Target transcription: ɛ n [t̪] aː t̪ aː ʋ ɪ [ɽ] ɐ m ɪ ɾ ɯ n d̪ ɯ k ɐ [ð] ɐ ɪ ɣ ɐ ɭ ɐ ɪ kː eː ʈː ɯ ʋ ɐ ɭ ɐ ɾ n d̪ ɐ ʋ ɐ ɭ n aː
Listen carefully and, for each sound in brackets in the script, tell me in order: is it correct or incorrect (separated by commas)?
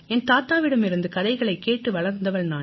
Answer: correct, correct, correct